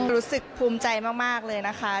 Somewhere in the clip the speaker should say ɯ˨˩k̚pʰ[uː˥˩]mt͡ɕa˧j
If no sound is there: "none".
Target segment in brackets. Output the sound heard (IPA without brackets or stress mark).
uː˧